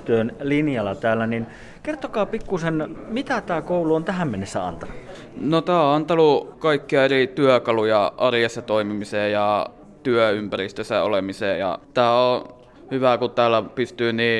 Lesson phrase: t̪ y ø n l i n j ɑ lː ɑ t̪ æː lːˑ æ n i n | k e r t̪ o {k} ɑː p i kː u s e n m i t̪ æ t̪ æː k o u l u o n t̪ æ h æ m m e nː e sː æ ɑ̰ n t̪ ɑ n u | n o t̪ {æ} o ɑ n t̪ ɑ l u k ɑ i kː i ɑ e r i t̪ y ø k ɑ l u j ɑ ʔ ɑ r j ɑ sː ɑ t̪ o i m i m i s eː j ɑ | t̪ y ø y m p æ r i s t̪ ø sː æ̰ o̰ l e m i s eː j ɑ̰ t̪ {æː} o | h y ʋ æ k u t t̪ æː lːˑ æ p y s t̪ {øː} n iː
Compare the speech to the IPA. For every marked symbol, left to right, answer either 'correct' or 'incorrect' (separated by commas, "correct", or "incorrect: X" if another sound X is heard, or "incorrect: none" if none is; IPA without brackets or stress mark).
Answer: correct, incorrect: æː, correct, incorrect: yː